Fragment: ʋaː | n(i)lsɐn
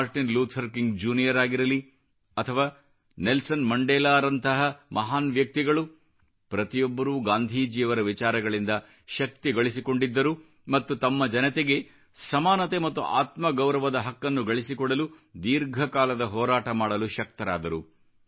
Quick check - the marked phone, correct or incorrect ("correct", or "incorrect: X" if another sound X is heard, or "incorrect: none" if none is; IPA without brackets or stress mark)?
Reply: incorrect: e